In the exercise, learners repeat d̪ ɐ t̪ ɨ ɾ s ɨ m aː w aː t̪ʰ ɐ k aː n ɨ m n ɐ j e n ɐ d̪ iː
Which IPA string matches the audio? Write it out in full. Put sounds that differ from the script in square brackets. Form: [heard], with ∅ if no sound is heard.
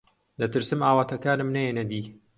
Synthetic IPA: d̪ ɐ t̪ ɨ ɾ s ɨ m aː w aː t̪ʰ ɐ k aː n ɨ m n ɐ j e n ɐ d̪ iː